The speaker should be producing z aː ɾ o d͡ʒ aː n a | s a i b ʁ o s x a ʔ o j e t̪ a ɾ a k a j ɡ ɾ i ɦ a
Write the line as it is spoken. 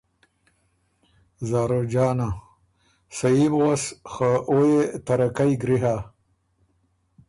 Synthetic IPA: z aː ɾ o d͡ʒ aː n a | s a i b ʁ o s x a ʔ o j e t̪ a ɾ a k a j ɡ ɾ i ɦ a